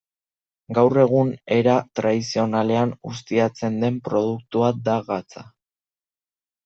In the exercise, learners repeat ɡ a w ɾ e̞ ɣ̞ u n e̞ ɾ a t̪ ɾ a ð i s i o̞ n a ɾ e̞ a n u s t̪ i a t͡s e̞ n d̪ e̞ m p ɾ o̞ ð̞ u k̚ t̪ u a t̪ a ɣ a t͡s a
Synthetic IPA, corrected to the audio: ɡ a w r e̞ ɣ̞ u n e̞ ɾ a t̪ ɾ a ð i s i o̞ n a l e̞ a n u s t̪ i a t͡s e̞ n d̪ e̞ m p ɾ o̞ ð̞ u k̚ t̪ u a d̪ a ɣ a t͡s a